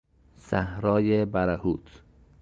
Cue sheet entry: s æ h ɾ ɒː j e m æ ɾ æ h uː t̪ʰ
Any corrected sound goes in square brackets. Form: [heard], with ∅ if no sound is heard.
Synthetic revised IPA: s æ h ɾ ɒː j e [b] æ ɾ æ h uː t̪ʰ